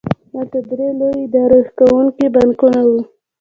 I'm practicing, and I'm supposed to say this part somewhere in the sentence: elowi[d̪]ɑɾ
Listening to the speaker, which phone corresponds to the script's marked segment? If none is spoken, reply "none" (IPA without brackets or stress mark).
d̪